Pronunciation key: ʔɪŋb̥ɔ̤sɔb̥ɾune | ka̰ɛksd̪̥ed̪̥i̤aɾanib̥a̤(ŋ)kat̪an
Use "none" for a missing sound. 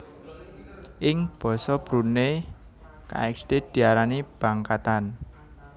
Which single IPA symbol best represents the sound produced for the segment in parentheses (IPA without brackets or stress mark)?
ŋ